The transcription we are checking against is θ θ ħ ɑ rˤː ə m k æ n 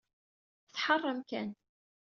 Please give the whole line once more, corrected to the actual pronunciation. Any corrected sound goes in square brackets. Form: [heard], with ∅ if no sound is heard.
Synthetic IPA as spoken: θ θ ħ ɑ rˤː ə m k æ n